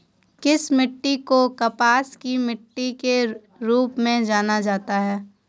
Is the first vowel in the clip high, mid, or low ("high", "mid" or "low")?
high